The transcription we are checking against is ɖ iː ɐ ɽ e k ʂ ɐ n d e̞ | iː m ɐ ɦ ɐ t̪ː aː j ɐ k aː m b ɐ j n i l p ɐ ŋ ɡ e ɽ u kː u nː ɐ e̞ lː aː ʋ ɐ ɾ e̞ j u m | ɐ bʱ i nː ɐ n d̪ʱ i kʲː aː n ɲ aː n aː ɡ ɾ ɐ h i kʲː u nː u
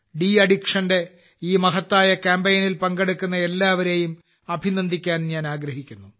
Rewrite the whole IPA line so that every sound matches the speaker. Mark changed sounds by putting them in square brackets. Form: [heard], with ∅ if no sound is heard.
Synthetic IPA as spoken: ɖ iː ɐ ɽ [i] k ʂ ɐ n d e̞ | iː m ɐ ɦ ɐ t̪ː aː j ɐ k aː m b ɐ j n i l p ɐ ŋ ɡ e ɽ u kː u nː ɐ e̞ lː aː ʋ ɐ ɾ e̞ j u m | ɐ bʱ i [n] ɐ n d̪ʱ i kʲː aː n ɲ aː n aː ɡ ɾ ɐ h i kʲː u nː u